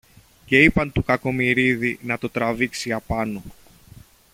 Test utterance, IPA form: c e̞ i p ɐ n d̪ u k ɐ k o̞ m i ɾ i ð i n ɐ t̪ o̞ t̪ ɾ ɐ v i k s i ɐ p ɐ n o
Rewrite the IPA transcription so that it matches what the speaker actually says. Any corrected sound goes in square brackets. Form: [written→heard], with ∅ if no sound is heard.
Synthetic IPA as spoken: c e̞ i p ɐ n [d̪→t̪] u k ɐ k o̞ m i ɾ i ð i n ɐ t̪ o̞ t̪ ɾ ɐ v i k s i ɐ p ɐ n o